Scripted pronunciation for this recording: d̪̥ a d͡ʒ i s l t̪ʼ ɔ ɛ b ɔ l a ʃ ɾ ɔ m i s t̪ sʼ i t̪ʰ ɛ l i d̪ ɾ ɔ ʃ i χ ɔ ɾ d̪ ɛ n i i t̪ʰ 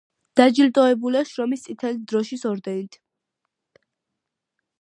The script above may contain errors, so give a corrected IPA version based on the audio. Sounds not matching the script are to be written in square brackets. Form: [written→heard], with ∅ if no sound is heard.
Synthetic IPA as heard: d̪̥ a d͡ʒ i [s→∅] l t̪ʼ ɔ ɛ b [ɔ→u] l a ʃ ɾ ɔ m i s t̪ sʼ i t̪ʰ ɛ l i d̪ ɾ ɔ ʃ i [χ→s] ɔ ɾ d̪ ɛ n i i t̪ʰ